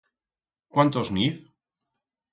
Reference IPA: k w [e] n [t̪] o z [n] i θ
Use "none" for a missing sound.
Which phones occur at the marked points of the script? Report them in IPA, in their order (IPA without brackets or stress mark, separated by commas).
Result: a, t̪, n